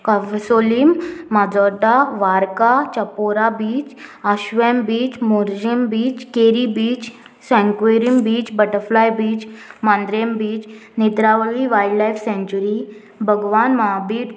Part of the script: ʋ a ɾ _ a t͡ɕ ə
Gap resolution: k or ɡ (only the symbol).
k